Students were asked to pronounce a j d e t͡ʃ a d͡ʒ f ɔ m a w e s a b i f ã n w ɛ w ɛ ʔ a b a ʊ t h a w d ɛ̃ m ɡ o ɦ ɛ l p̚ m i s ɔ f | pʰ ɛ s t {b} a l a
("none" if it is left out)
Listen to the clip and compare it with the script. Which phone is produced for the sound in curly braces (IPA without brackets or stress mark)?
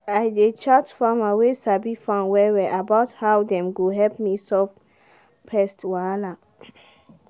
w